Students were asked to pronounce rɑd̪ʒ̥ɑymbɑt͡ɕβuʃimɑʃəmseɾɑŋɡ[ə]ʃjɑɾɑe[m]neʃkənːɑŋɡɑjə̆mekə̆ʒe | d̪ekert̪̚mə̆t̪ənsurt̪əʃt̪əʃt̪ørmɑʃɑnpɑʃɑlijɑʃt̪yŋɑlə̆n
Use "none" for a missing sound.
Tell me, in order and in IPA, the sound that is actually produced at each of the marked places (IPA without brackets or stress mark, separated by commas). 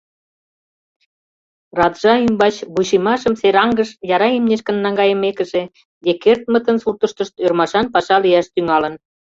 ə, m